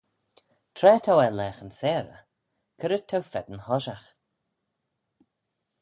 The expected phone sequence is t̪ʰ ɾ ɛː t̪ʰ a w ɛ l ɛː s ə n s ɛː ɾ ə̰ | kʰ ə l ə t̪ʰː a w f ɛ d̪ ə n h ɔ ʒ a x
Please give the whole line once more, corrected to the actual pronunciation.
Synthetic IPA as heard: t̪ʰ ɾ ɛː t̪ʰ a w ɛ l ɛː x ə n s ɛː ɾ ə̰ | kʰ ə ɾ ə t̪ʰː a w f ɛ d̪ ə n h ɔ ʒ a x